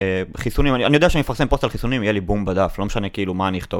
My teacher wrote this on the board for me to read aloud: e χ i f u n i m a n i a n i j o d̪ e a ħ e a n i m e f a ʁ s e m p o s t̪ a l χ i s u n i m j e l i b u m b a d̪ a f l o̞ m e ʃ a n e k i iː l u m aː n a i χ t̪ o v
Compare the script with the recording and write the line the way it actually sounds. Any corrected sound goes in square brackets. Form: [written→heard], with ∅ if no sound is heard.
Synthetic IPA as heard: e χ i [f→s] u n i m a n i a n i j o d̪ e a [ħ→ʃ] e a n i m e f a ʁ s e m p o s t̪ a l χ i s u n i m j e l i b u m b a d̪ a f l o̞ m e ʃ a n e k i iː l u m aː n [a→i] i χ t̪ o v

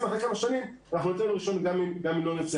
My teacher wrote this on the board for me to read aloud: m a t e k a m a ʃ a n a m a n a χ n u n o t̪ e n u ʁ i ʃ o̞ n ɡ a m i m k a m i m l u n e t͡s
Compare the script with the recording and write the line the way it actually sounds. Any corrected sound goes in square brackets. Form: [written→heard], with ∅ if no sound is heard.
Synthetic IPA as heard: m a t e k a m a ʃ a n [a→i] m a n a χ n u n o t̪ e n u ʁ i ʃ o̞ n ɡ a m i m [k→ɡ] a m i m l [u→o] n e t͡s

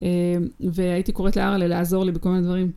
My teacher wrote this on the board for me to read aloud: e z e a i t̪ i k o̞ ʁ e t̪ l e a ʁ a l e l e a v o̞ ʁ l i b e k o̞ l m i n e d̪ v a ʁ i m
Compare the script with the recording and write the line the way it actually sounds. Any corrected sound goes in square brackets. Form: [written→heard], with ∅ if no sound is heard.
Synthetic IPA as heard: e [z→v] e a i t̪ i k o̞ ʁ e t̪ l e a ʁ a l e l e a [v→z] o̞ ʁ l i b e k o̞ l m i n e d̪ v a ʁ i m

